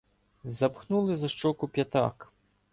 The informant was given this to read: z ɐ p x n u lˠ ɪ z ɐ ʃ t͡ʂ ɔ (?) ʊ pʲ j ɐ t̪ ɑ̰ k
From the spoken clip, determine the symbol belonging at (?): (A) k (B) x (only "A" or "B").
A